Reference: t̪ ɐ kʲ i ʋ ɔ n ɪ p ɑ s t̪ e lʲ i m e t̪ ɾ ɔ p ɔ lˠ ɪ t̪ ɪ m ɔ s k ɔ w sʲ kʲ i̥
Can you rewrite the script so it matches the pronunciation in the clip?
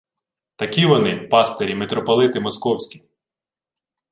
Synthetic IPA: t̪ ɐ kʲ i ʋ ɔ n ɪ p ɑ s t̪ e ɾʲ i m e t̪ ɾ ɔ p ɔ lˠ ɪ t̪ ɪ m ɔ s k ɔ w sʲ kʲ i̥